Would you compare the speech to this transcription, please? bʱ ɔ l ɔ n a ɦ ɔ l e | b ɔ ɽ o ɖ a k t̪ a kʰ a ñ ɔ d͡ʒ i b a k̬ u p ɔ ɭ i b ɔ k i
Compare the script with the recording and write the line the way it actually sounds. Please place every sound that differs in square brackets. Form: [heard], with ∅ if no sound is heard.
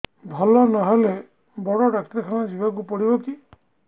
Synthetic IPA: bʱ ɔ l ɔ n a ɦ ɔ l e | b ɔ ɽ [ɔ] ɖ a k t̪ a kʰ a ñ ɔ d͡ʒ i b a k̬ u p ɔ [ɽ] i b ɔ k i